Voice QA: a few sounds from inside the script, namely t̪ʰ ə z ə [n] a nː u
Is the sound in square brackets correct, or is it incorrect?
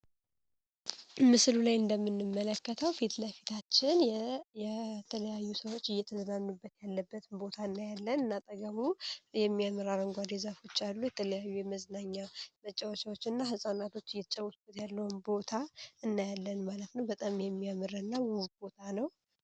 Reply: correct